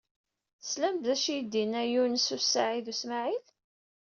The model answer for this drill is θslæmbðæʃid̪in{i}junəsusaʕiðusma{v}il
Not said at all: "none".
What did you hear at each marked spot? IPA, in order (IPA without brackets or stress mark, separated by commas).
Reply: æ, ʕ